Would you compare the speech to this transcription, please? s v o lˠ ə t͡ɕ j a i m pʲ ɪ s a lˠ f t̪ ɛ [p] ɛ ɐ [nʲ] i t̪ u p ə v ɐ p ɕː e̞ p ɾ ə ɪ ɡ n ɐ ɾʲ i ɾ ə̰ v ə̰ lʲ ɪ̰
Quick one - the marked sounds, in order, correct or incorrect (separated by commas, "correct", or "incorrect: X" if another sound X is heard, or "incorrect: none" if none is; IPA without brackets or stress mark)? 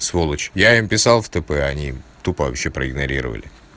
correct, correct